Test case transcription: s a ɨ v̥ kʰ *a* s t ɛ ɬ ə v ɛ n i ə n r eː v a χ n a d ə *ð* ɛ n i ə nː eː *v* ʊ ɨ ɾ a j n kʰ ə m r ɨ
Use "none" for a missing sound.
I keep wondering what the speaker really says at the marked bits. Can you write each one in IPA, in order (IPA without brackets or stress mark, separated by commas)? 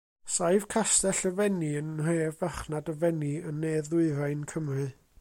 a, v, ð